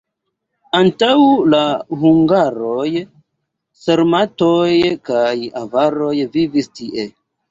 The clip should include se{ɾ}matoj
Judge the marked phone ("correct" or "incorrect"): correct